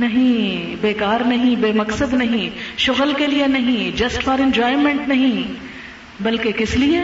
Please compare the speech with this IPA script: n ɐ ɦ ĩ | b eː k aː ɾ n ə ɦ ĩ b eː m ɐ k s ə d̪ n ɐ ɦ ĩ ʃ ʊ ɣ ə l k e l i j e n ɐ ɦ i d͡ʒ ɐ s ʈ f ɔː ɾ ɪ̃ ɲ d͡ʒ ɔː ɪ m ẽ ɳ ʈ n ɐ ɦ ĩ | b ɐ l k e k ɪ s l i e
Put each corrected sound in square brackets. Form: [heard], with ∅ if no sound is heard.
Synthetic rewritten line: n ɐ ɦ ĩ | b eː k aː ɾ n [ɐ] ɦ ĩ b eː m ɐ k s ə d̪ n ɐ ɦ ĩ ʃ ʊ ɣ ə l k e l i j e n ɐ ɦ [ĩ] d͡ʒ ɐ s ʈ f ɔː ɾ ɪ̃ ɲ d͡ʒ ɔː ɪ m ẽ ɳ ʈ n ɐ ɦ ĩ | b ɐ l k e k ɪ s l i e